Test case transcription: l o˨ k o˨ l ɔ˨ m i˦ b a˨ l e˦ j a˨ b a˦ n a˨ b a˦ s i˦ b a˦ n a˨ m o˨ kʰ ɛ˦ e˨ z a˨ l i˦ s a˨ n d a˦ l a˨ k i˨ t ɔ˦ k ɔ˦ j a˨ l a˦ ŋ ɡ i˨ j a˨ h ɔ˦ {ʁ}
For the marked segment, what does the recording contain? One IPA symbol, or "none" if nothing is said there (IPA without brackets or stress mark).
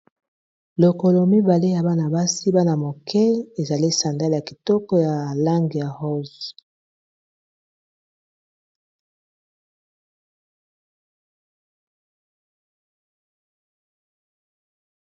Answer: z